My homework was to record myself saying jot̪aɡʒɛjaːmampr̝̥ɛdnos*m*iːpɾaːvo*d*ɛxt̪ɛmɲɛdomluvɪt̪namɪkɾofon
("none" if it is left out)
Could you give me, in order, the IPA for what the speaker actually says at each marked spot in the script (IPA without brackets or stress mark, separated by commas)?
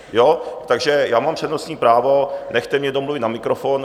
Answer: ɲ, n